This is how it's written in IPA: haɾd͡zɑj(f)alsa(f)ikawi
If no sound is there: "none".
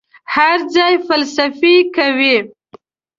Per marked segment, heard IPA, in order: f, f

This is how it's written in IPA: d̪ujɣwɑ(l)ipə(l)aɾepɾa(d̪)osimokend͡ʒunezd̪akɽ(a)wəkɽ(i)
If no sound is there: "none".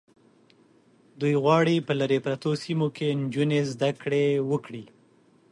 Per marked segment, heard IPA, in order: ɽ, l, t̪, e, i

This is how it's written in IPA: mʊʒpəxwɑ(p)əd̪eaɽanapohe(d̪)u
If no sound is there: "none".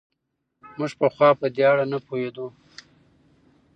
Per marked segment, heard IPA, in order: p, d̪

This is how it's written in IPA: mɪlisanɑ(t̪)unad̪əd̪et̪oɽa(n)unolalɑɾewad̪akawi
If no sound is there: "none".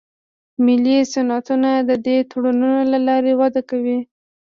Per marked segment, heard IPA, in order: t̪, n

